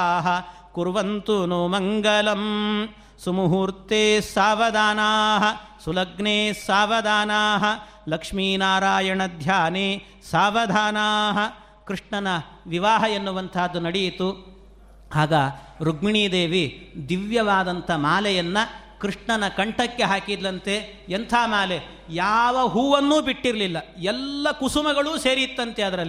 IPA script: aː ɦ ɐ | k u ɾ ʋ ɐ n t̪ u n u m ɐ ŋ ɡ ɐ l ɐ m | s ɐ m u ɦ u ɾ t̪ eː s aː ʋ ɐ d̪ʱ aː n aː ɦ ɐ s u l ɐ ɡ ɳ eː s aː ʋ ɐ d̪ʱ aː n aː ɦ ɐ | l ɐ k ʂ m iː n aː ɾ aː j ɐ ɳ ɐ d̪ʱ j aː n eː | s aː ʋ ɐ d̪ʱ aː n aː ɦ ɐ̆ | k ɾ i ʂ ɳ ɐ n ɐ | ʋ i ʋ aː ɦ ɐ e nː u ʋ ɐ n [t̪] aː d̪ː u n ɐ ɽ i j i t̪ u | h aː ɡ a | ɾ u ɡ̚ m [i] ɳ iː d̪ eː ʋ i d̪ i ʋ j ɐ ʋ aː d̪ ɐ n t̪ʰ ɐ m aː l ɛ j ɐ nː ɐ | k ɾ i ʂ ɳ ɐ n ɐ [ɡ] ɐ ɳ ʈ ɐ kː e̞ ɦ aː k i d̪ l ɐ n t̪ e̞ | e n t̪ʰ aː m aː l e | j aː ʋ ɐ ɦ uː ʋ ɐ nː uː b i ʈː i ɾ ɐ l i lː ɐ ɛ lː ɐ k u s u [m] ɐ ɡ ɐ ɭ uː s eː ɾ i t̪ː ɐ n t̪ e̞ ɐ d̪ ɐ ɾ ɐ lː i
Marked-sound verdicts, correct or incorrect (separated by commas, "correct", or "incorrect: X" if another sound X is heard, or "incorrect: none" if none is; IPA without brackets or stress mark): incorrect: t̪ʰ, correct, incorrect: k, correct